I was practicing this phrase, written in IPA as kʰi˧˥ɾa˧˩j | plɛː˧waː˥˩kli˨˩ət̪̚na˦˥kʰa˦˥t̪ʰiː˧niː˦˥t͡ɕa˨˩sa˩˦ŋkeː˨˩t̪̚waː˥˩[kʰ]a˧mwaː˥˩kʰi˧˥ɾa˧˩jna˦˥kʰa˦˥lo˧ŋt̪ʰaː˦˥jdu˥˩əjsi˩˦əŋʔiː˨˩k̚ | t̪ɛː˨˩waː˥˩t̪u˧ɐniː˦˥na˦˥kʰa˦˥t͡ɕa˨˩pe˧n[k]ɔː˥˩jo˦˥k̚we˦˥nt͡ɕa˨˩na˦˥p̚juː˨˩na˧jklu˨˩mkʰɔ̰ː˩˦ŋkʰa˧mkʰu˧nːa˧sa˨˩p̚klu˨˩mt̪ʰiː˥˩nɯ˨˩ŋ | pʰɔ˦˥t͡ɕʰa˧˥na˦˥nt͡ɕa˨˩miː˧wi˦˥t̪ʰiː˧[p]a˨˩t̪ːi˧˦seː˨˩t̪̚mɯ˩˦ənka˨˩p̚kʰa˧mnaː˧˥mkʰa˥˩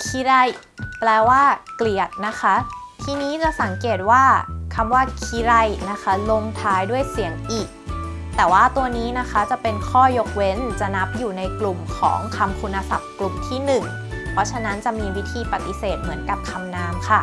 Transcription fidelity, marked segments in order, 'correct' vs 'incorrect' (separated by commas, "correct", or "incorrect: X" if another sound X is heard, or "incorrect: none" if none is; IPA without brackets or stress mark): correct, incorrect: kʰ, correct